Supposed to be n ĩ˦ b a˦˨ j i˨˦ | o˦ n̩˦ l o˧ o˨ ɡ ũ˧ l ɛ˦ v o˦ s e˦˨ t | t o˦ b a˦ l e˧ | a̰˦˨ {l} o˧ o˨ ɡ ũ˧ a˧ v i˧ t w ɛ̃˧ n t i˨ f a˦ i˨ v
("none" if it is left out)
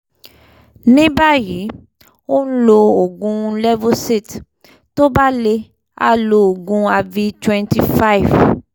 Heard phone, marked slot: l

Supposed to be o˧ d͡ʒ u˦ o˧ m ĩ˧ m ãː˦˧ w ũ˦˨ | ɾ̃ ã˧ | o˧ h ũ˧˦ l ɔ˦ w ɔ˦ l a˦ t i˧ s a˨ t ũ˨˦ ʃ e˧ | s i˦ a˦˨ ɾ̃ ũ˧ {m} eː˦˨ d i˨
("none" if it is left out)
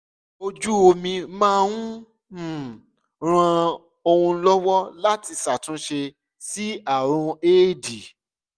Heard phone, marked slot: none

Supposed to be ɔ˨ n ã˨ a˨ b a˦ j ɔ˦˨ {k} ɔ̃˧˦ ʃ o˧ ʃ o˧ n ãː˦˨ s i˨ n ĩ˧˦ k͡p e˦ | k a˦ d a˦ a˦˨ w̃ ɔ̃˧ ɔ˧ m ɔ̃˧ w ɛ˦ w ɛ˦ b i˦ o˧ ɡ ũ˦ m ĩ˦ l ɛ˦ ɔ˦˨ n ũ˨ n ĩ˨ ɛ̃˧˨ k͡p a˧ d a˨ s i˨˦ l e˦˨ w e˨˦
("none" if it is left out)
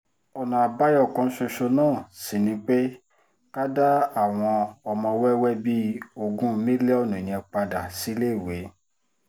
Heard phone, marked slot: k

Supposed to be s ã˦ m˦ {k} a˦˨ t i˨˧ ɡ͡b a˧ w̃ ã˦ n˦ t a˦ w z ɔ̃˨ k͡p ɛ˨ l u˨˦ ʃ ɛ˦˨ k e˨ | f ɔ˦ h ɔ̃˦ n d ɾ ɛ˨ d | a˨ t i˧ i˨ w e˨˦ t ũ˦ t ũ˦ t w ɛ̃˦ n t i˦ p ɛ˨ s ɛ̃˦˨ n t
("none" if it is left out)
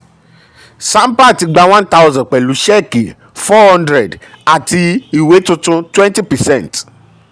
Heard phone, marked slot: p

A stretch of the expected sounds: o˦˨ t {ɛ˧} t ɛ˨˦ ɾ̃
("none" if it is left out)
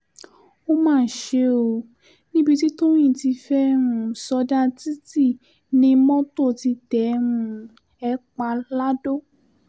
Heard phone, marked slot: i˧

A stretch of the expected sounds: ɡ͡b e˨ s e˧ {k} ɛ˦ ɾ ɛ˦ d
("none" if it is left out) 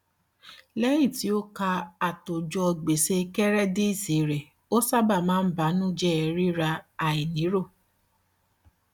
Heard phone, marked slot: k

